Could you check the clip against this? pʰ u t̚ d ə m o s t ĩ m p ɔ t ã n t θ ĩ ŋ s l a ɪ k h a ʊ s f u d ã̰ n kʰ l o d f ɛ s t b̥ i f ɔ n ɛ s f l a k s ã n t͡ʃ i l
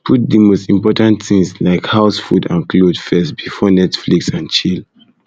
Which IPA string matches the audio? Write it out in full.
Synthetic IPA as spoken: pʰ u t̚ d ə m o s t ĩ m p ɔ t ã n t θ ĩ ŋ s l a ɪ k h a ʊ s f u d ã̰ n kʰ l o d f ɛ s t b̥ i f ɔ n ɛ t f l i k s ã n t͡ʃ i l